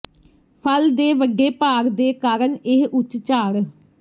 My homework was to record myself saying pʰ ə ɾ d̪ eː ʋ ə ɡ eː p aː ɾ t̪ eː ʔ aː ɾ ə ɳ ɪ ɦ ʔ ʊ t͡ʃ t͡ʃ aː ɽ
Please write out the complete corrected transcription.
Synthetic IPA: pʰ ə l d̪ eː ʋ ə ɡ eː p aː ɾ d̪ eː k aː ɾ ə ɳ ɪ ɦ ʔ ʊ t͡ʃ t͡ʃ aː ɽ